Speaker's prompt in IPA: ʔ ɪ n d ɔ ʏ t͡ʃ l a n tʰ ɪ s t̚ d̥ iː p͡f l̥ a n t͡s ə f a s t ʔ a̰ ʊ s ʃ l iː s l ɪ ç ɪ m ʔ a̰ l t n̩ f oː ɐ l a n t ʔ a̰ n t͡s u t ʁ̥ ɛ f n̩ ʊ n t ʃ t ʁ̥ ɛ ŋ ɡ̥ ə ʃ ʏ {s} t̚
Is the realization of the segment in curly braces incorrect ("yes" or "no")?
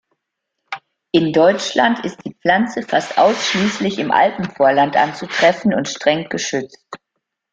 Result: yes